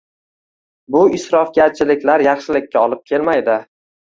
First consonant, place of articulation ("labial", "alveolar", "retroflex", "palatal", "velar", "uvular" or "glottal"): labial